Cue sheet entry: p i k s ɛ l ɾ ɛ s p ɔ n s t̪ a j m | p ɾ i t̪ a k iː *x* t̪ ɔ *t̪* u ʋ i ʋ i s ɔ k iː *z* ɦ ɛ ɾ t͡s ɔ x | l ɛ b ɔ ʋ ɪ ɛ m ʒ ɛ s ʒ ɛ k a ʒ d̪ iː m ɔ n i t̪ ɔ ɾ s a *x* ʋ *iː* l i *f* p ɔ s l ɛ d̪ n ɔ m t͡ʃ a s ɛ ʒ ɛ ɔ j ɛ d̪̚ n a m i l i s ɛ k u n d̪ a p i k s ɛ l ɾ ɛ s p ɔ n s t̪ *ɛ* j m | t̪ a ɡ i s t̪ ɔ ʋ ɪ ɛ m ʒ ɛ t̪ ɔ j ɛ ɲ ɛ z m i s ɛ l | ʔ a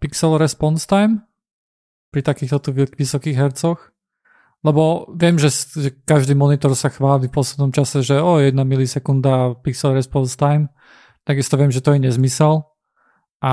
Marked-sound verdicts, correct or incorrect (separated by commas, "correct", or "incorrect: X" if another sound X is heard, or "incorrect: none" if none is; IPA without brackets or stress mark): correct, correct, incorrect: ɣ, correct, incorrect: aː, correct, incorrect: a